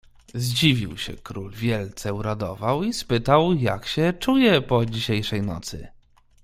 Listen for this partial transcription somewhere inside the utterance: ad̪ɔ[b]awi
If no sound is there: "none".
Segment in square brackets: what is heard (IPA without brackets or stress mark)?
v